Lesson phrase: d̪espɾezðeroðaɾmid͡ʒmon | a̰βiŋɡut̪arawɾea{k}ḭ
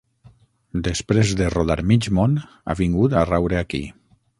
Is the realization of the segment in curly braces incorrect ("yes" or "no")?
no